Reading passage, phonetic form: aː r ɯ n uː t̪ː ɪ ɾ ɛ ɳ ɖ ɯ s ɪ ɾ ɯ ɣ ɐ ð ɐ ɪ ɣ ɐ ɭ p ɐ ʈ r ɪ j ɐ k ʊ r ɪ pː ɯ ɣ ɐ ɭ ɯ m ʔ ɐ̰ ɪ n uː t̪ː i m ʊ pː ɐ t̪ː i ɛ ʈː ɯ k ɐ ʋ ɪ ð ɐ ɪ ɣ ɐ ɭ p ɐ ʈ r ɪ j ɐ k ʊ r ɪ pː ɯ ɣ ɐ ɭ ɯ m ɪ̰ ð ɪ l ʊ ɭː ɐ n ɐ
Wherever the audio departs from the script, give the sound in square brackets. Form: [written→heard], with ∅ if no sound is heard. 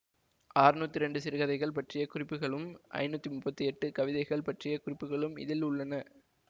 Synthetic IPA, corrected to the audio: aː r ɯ n uː t̪ː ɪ ɾ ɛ ɳ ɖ ɯ s ɪ ɾ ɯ ɣ ɐ ð ɐ ɪ ɣ ɐ ɭ p ɐ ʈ r ɪ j ɐ k ʊ r ɪ pː ɯ ɣ ɐ ɭ ɯ m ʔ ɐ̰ ɪ n uː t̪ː i m ʊ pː ɐ t̪ː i ɛ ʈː ɯ k ɐ ʋ ɪ ð ɐ ɪ ɣ ɐ ɭ p ɐ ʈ r ɪ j ɐ k ʊ r ɪ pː ɯ ɣ ɐ ɭ ɯ m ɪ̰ ð ɪ l ʊ ɭː ɐ n ɐ